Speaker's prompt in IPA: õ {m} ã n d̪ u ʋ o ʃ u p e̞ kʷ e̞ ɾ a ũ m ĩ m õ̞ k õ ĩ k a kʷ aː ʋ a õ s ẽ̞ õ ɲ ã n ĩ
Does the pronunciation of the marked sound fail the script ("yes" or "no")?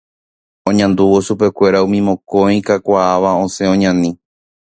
yes